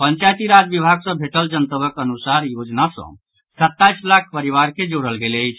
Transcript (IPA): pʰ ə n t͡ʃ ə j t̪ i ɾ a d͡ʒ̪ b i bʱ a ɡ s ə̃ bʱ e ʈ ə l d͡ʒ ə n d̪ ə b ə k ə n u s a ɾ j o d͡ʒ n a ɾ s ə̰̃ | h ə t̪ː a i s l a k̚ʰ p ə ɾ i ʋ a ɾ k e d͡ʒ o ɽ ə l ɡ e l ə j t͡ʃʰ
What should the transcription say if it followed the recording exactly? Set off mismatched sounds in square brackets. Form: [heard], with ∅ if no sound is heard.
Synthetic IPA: [p] ə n t͡ʃ [a] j t̪ i ɾ a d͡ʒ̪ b i bʱ a ɡ s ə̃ bʱ e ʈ ə l d͡ʒ ə n [t̪] ə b ə k ə n u s a ɾ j o d͡ʒ n a [∅] s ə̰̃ | [s] ə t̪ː a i s l a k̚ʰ p ə ɾ i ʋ a ɾ k e d͡ʒ o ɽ ə l ɡ e l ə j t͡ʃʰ

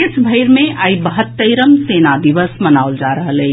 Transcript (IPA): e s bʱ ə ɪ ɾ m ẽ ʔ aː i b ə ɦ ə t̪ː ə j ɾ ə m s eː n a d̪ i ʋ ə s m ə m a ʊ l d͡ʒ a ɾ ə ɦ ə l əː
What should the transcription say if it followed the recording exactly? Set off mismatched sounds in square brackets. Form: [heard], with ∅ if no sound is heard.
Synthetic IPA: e s bʱ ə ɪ ɾ m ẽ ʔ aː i b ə ɦ ə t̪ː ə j ɾ ə m s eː n a d̪ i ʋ ə s m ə [n] a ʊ l d͡ʒ a ɾ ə ɦ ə l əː

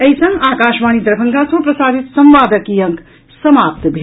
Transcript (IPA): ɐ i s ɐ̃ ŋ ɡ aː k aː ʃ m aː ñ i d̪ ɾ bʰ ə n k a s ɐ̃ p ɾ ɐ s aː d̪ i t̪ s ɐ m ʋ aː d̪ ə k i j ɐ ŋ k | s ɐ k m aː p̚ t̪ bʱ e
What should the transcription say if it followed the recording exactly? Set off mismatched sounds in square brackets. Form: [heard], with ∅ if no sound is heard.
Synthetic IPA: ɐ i s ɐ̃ ŋ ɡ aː k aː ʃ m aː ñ i d̪ ɾ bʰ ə [ŋ] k a s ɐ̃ p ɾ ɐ s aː d̪ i t̪ s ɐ m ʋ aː d̪ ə k i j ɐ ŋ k | s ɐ [∅] m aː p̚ t̪ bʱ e

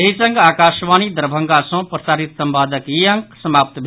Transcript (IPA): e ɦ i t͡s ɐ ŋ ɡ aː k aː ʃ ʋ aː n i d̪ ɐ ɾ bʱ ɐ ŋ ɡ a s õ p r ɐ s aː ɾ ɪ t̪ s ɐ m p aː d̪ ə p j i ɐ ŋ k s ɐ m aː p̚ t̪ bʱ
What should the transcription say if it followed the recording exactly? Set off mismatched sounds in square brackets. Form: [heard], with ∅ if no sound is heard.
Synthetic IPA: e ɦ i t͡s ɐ ŋ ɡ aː k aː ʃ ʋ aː n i d̪ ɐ ɾ bʱ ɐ ŋ ɡ a s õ p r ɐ s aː ɾ [i] t̪ s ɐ m p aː d̪ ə [k] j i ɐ ŋ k s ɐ m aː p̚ t̪ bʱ

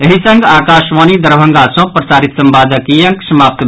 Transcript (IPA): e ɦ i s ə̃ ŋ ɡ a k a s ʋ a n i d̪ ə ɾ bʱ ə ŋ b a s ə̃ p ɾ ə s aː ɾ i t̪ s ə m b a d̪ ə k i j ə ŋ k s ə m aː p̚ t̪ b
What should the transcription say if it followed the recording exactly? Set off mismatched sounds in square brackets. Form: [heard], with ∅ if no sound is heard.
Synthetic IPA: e ɦ i s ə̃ ŋ ɡ a k a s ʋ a n i d̪ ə ɾ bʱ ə ŋ [ɡ] a s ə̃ p ɾ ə s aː ɾ i t̪ s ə m b a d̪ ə k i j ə ŋ k s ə m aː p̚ t̪ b

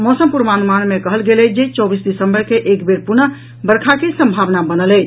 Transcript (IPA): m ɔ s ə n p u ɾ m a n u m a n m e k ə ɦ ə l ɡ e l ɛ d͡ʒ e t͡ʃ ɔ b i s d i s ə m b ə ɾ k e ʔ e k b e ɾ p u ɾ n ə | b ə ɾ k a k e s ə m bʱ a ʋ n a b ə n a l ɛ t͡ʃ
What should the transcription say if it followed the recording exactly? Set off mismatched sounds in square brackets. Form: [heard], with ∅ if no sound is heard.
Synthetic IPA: m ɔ s ə [m] p u ɾ m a n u m a n m e k ə ɦ ə l ɡ e l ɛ d͡ʒ e t͡ʃ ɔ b i s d i s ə m b ə ɾ k e ʔ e k b e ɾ p u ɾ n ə | b ə ɾ [kʰ] a k e s ə m bʱ a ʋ n a b ə n [ə] l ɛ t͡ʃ

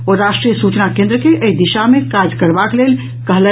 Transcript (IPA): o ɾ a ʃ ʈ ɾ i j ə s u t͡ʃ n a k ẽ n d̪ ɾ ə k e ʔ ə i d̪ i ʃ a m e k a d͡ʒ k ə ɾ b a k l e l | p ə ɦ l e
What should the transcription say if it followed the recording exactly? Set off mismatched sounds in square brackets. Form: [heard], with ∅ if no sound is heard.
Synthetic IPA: o ɾ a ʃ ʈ ɾ i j ə s u t͡ʃ n a k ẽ n d̪ ɾ ə k e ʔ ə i d̪ i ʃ a m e k a d͡ʒ k ə ɾ b a k l e l | [k] ə ɦ l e

